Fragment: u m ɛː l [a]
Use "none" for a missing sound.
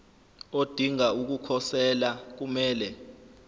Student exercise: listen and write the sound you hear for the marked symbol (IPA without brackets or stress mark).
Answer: ɛ